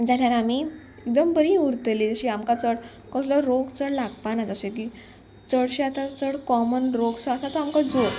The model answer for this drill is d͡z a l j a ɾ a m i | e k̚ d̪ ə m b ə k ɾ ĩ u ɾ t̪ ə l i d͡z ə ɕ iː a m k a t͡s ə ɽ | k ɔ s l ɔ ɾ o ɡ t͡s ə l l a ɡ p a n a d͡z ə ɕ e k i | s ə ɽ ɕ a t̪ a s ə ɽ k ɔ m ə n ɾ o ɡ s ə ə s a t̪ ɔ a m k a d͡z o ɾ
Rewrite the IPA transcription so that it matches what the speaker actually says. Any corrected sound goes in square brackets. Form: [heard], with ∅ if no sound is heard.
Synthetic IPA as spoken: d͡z a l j a ɾ a m i | e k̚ d̪ ə m b ə [∅] ɾ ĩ u ɾ t̪ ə l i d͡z ə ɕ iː a m k a t͡s ə ɽ | k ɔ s l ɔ ɾ o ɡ t͡s ə [ɽ] l a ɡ p a n a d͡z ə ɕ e k i | [t͡s] ə ɽ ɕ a t̪ a [t͡s] ə ɽ k ɔ m ə n ɾ o ɡ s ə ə s a t̪ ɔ a m k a d͡z o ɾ